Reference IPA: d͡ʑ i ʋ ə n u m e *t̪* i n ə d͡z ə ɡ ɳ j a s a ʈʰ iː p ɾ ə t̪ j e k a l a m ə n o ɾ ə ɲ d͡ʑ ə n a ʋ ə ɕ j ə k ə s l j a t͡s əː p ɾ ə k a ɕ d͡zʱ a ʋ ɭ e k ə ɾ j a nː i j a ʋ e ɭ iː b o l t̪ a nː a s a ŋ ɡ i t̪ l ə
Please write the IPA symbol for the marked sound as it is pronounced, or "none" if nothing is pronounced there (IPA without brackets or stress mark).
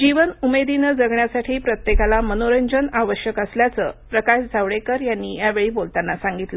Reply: d̪